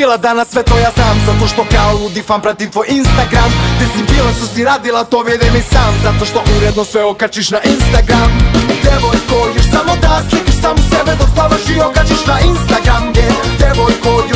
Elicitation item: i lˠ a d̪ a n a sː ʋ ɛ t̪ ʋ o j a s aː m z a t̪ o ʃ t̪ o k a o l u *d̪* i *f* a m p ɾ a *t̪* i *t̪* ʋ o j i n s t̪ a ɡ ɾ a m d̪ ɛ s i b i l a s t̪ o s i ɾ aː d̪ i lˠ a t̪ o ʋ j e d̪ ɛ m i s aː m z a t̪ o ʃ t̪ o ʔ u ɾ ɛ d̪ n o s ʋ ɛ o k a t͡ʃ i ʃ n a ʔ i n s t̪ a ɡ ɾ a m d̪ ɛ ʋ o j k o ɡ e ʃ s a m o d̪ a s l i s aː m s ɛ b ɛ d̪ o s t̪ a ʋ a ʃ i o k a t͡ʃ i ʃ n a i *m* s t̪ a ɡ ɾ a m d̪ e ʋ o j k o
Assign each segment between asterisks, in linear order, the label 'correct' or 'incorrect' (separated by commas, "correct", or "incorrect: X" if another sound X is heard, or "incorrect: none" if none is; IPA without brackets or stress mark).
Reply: correct, correct, correct, correct, incorrect: n